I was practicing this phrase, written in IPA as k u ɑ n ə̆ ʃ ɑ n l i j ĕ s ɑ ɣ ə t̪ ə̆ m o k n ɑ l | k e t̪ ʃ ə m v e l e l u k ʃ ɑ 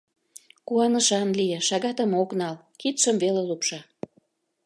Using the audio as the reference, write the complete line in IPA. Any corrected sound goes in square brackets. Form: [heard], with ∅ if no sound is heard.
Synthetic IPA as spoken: k u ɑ n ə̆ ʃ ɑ n l i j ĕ [ʃ] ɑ ɣ [ɑ] t̪ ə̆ m o k n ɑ l | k [i] t̪ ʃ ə m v e l e l u [p] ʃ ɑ